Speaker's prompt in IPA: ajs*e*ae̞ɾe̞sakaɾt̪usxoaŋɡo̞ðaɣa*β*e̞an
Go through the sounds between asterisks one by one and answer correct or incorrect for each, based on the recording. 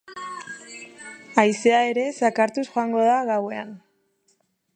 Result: correct, incorrect

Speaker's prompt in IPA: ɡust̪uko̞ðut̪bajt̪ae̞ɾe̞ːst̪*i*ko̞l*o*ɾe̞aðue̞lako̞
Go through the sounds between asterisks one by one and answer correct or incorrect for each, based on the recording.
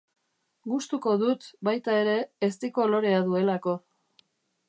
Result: correct, correct

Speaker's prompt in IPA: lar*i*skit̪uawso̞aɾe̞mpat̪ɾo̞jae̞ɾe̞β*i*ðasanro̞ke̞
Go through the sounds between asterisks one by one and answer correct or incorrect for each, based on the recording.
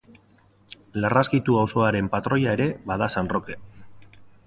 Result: incorrect, incorrect

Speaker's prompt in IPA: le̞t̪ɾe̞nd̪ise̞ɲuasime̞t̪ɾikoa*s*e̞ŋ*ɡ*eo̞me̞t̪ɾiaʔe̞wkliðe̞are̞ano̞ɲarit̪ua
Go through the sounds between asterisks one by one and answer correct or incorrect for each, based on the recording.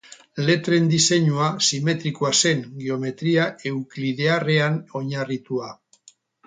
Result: correct, correct

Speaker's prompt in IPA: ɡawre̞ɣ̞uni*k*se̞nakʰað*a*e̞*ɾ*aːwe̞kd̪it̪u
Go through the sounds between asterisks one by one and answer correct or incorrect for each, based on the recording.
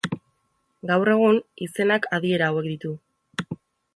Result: incorrect, incorrect, correct

